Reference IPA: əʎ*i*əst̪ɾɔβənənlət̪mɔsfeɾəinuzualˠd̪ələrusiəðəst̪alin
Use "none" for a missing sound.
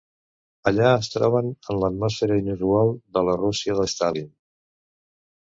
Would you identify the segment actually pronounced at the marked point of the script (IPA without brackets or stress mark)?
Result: a